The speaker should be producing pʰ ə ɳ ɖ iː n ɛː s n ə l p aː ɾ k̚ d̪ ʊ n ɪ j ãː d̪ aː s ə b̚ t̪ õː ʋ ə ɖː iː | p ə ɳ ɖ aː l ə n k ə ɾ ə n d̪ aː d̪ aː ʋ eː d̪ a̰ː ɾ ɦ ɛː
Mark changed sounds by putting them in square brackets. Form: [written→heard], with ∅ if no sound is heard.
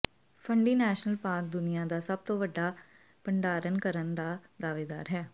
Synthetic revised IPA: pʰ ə ɳ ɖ iː n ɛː [s→ʃ] n ə l p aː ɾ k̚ d̪ ʊ n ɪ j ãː d̪ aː s ə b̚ t̪ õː ʋ ə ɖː [iː→aː] | p ə ɳ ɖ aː [l→ɾ] ə n k ə ɾ ə n d̪ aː d̪ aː ʋ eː d̪ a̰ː ɾ ɦ ɛː